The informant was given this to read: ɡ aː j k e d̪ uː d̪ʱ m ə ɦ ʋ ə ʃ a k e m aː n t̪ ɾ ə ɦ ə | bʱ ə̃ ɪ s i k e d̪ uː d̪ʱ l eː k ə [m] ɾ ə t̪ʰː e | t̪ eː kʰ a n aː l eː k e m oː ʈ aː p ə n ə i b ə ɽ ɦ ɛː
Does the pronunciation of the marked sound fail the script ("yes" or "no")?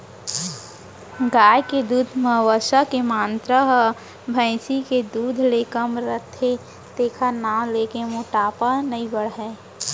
no